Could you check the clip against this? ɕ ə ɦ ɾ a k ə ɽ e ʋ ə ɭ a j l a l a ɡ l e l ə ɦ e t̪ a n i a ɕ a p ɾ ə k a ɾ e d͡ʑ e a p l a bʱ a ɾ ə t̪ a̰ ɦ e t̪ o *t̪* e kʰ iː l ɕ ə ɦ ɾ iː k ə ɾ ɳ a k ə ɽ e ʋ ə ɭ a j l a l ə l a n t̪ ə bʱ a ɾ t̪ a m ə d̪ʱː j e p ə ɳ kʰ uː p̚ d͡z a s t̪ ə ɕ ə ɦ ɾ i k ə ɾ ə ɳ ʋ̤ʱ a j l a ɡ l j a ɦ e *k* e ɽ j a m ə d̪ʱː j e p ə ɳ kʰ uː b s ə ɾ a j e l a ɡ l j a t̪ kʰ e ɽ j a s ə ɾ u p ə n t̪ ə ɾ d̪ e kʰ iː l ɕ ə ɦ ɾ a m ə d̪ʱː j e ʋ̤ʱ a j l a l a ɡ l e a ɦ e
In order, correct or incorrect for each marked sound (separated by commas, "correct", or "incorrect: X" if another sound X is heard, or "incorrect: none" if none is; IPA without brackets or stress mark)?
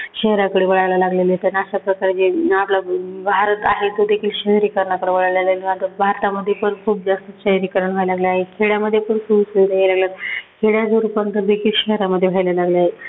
incorrect: d̪, incorrect: kʰ